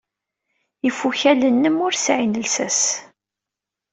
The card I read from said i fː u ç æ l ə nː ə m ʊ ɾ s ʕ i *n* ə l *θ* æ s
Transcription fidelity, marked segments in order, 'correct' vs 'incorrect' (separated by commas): correct, incorrect